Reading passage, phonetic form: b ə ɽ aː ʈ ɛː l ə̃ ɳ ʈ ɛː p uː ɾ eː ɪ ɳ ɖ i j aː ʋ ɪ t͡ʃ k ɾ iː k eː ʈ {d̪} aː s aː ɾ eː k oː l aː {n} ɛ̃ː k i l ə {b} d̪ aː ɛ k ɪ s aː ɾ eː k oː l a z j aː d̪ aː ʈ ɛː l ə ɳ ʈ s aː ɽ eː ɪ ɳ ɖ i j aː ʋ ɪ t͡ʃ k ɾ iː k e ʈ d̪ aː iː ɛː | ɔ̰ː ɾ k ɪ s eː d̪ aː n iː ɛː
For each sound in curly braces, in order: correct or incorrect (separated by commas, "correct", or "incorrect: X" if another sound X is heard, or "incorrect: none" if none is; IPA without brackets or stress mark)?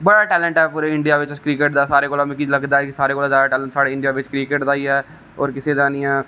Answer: correct, incorrect: m, incorrect: ɡ